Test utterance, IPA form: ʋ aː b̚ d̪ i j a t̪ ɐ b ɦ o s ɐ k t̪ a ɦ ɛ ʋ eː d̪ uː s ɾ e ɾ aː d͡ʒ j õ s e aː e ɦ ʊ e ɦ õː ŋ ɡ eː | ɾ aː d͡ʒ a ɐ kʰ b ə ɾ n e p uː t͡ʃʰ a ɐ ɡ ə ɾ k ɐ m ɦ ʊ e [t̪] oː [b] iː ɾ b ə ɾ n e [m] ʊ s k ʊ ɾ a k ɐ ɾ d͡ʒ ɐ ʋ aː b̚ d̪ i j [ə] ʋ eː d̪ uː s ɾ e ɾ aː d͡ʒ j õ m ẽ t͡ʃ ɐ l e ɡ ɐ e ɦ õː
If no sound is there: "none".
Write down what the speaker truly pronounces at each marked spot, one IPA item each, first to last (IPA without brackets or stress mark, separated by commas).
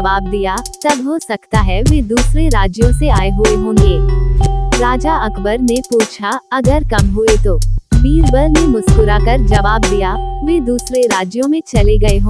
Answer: t̪, b, m, a